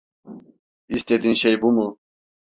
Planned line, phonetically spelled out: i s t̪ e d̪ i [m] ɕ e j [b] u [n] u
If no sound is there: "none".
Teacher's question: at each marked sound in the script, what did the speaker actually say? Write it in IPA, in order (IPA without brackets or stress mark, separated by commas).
n, b, m